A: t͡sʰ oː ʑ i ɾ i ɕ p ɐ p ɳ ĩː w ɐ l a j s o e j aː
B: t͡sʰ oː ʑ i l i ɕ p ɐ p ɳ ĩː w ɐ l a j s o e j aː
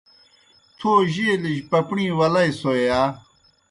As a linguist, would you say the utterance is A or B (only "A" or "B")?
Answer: B